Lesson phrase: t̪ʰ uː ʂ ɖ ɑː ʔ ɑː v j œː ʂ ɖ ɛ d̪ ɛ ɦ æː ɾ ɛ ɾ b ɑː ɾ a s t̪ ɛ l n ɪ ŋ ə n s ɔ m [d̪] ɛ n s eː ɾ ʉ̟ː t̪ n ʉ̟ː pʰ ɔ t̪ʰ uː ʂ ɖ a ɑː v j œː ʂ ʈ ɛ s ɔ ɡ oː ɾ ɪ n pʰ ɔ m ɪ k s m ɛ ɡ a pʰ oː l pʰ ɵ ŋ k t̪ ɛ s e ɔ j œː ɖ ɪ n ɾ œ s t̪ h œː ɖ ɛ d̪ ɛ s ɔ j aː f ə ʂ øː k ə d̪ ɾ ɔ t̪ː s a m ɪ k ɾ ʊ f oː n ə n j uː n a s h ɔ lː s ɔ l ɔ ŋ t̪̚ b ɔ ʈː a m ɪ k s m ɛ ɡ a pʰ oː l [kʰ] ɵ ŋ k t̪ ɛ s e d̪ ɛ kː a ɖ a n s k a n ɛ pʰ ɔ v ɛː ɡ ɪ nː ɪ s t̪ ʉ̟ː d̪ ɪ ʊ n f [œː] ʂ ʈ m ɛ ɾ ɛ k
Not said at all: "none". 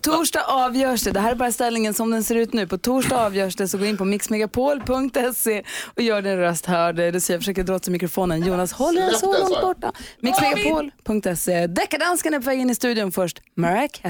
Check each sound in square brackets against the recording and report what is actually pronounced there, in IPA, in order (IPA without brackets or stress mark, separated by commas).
d̪, pʰ, œ